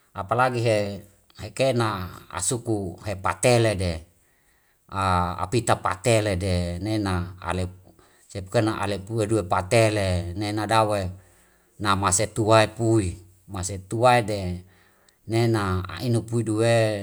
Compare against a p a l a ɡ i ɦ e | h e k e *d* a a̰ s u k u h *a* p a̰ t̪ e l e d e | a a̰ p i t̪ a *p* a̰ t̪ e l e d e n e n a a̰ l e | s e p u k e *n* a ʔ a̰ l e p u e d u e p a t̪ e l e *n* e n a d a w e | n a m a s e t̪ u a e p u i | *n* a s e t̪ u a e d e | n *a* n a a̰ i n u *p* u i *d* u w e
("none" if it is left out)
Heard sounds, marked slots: n, e, p, n, n, m, e, p, d

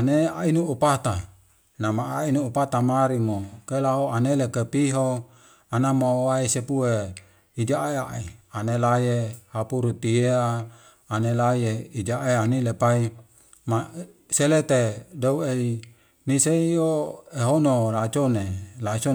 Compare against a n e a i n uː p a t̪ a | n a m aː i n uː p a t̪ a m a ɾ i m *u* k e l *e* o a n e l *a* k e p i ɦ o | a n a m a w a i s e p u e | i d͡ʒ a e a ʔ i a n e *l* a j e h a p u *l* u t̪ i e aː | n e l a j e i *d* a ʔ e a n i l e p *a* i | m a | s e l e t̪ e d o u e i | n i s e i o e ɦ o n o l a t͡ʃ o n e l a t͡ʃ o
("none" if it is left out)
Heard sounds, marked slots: o, a, e, l, ɾ, d͡ʒ, a

